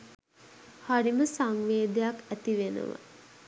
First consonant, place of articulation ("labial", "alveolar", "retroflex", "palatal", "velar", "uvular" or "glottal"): glottal